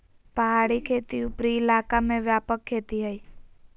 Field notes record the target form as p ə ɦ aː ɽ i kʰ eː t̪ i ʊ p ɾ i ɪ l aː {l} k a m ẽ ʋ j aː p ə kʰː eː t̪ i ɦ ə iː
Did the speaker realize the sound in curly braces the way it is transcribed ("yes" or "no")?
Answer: no